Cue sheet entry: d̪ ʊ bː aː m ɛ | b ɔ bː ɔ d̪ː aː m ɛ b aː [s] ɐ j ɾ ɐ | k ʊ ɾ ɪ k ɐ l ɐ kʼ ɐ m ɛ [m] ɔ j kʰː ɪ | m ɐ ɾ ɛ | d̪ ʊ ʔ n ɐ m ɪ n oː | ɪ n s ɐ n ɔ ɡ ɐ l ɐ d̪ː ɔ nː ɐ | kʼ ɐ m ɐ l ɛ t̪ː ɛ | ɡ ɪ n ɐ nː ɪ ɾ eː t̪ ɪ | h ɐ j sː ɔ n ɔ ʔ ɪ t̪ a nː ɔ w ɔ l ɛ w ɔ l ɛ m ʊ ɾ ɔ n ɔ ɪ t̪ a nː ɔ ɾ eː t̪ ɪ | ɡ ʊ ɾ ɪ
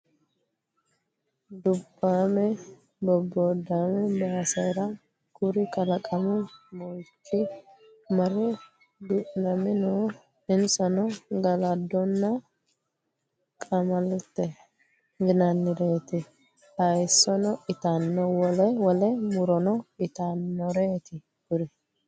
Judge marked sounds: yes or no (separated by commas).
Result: yes, yes